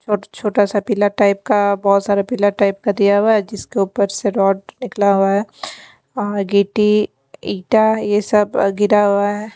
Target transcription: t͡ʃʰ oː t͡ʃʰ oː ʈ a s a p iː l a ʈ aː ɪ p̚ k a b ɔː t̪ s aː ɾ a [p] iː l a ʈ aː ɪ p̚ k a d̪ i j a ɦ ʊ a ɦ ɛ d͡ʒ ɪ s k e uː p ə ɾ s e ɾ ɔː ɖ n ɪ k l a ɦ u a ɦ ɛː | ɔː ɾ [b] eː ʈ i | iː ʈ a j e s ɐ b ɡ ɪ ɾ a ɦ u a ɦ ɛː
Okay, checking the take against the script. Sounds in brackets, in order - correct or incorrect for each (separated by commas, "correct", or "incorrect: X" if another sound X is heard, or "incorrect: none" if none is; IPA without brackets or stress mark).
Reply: correct, incorrect: ɡ